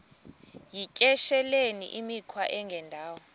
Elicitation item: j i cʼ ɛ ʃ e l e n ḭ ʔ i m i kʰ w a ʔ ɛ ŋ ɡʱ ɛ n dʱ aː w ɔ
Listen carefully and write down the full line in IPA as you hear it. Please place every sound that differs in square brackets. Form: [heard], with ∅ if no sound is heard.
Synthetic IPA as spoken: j i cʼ ɛ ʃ [ɛ] l e n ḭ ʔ i m i kʰ w a ʔ ɛ ŋ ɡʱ ɛ n dʱ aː w ɔ